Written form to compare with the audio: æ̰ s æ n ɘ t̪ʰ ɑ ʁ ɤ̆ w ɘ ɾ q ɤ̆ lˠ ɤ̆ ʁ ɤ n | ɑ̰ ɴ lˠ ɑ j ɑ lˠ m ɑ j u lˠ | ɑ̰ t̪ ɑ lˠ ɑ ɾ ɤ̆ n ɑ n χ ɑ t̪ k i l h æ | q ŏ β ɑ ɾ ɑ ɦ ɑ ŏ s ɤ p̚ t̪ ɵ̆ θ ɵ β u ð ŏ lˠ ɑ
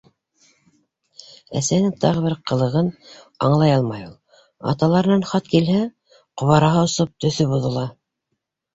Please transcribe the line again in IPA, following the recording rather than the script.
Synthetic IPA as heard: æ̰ s æ n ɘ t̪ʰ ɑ ʁ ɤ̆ β ɘ ɾ q ɤ̆ lˠ ɤ̆ ʁ ɤ n | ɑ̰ ɴ lˠ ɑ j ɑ lˠ m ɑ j u lˠ | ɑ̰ t̪ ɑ lˠ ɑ ɾ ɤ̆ n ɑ n χ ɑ t̪ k i l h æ | q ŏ β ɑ ɾ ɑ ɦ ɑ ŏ s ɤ p̚ t̪ ɵ̆ θ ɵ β u ð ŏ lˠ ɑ